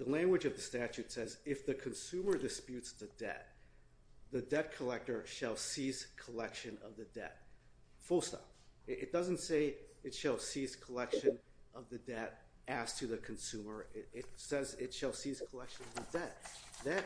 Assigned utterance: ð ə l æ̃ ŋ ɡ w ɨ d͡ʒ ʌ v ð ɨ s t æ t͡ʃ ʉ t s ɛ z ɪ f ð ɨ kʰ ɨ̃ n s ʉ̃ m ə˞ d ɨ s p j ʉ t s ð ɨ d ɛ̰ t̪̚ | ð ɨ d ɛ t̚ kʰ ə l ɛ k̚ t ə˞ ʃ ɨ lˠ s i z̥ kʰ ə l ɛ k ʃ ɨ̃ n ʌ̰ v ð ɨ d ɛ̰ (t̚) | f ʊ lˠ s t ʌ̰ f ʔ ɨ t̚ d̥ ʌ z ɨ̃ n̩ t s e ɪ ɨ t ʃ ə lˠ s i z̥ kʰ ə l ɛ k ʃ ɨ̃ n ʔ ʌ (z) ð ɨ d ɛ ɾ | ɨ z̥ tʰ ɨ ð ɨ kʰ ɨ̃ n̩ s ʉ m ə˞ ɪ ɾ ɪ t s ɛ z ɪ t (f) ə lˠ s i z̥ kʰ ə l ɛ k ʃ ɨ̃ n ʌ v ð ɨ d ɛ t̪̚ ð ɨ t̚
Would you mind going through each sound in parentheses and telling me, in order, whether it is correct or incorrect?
correct, incorrect: v, incorrect: ʃ

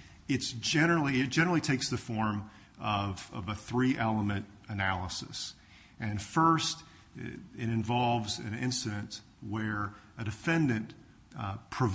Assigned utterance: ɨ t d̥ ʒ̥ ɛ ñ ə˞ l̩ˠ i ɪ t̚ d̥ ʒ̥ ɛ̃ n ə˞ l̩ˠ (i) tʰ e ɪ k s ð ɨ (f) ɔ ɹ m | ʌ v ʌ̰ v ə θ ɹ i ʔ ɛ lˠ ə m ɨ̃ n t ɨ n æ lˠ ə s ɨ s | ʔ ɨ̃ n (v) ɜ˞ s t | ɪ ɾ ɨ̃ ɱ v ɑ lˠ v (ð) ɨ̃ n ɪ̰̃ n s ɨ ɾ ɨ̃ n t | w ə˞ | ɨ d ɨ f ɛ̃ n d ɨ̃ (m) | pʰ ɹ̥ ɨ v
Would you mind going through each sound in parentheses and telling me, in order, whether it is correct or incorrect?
correct, correct, incorrect: f, incorrect: z, incorrect: n

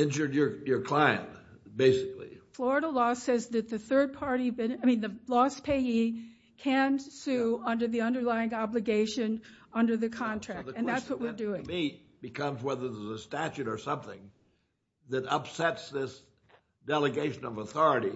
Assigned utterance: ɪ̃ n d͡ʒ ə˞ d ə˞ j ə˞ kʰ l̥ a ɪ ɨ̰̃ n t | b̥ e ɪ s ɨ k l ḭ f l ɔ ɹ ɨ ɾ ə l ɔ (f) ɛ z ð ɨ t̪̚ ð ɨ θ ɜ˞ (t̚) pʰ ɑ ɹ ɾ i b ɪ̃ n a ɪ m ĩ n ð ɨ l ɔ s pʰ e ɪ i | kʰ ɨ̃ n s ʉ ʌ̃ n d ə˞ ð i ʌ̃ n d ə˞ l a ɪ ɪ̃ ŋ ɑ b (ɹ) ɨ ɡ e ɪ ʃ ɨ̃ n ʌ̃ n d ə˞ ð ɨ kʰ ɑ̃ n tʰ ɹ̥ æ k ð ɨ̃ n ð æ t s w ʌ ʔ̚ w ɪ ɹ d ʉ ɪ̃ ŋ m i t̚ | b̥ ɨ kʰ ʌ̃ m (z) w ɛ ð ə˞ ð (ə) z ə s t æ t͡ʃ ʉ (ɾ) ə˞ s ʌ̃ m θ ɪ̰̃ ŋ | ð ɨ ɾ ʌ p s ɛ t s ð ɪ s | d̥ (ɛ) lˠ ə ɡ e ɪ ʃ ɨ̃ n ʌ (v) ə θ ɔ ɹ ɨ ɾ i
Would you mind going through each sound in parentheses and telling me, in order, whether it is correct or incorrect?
incorrect: s, incorrect: d̚, incorrect: l, correct, correct, correct, correct, correct

